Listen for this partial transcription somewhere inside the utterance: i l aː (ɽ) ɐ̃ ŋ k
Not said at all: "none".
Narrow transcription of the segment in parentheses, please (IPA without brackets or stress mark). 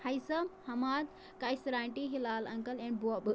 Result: l